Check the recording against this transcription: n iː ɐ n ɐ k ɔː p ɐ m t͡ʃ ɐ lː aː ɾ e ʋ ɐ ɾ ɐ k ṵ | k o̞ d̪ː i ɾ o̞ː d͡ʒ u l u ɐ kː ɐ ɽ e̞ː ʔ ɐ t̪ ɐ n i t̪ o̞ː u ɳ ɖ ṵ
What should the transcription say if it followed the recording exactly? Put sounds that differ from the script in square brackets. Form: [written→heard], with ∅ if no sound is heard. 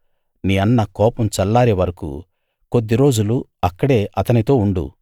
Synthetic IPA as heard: n iː ɐ [n→nː] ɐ k ɔː p ɐ m t͡ʃ ɐ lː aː ɾ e ʋ ɐ ɾ ɐ k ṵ | k o̞ d̪ː i ɾ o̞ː d͡ʒ u l u ɐ kː ɐ ɽ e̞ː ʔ ɐ t̪ ɐ n i t̪ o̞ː u ɳ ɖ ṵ

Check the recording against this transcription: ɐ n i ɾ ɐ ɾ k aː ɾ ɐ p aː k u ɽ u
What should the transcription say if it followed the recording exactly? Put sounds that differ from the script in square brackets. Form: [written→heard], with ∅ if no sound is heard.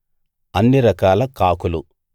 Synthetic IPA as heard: ɐ [n→nː] i ɾ ɐ [ɾ→∅] k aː [ɾ→l] ɐ [p→k] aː k u [ɽ→l] u

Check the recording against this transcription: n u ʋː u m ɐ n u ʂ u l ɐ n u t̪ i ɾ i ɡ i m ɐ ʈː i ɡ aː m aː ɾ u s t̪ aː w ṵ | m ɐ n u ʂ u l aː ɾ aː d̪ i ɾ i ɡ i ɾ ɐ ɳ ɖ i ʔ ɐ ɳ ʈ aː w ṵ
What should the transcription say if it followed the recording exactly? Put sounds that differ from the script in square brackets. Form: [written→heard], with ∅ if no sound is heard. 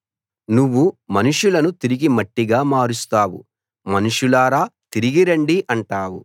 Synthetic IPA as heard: n u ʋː u m ɐ n u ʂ u l ɐ n u t̪ i ɾ i ɡ i m ɐ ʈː i ɡ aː m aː ɾ u s t̪ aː w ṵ | m ɐ n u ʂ u l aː ɾ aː [d̪→t̪] i ɾ i ɡ i ɾ ɐ ɳ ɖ i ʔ ɐ ɳ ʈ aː w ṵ

